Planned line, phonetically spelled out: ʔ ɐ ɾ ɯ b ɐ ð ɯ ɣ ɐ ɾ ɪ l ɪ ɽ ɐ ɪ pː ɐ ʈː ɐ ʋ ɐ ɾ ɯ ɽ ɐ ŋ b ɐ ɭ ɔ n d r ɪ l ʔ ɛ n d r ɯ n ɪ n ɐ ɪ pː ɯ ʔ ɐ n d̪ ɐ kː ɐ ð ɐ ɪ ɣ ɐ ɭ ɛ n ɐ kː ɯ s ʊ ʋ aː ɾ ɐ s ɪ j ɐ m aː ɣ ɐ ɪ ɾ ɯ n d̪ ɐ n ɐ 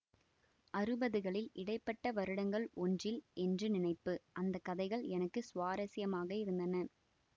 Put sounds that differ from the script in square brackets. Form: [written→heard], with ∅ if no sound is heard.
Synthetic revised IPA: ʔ ɐ ɾ ɯ b ɐ ð ɯ ɣ ɐ [ɾ→ɭ] ɪ l ɪ ɽ ɐ ɪ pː ɐ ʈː ɐ ʋ ɐ ɾ ɯ ɽ ɐ ŋ [b→ɡ] ɐ ɭ ɔ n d r ɪ l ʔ ɛ n d r ɯ n ɪ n ɐ ɪ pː ɯ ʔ ɐ n d̪ ɐ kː ɐ ð ɐ ɪ ɣ ɐ ɭ ɛ n ɐ kː ɯ s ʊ ʋ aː ɾ ɐ s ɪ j ɐ m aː ɣ ɐ ɪ ɾ ɯ n d̪ ɐ n ɐ